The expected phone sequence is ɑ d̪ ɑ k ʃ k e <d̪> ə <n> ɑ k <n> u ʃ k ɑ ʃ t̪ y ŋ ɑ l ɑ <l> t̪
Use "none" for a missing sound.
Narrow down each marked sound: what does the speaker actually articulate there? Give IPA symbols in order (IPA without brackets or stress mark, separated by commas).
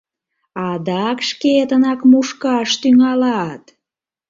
t̪, n, m, none